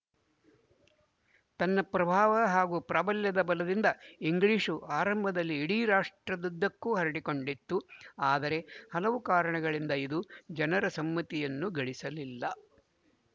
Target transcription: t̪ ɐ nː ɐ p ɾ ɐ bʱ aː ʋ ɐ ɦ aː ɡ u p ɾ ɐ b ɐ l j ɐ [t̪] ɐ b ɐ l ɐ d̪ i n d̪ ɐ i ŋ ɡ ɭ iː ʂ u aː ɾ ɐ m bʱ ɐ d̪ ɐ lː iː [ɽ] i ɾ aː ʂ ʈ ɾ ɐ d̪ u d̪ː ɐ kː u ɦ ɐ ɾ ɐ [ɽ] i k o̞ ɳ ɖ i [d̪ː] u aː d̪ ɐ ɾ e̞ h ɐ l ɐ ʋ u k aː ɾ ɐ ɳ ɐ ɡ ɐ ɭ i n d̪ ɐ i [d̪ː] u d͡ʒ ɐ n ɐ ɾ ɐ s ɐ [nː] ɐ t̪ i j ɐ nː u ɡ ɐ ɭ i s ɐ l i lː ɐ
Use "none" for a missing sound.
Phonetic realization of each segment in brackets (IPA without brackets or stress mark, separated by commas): d̪, ɽ, ɽ, t̪ː, d̪, mː